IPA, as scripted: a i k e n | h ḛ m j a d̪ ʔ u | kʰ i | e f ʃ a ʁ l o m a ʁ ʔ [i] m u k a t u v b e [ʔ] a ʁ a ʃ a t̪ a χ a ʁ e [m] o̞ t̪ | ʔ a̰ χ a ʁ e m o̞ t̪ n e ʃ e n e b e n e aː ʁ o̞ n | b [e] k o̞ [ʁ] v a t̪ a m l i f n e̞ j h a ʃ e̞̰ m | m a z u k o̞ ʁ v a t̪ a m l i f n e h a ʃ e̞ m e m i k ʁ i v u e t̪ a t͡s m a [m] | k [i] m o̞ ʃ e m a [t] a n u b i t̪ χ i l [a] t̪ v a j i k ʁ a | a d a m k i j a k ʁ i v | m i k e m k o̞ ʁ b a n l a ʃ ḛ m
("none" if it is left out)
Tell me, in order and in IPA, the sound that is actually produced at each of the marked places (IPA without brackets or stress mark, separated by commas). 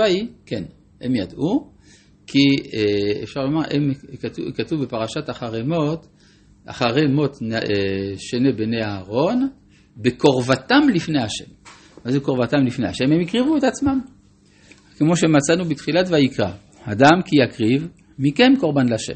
e, p, m, e, ʁ, m, e, t͡s, a